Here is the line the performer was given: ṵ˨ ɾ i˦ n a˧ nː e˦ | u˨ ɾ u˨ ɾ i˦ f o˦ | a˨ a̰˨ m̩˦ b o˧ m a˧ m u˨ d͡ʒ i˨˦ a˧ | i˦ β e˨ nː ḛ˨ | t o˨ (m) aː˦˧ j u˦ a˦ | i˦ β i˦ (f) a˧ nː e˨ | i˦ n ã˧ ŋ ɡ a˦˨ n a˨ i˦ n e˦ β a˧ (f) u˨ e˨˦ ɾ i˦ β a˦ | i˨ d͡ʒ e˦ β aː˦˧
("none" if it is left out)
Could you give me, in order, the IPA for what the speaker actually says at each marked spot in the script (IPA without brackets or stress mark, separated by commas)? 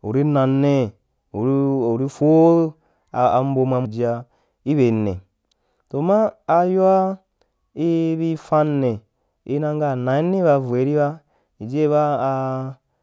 m, f, v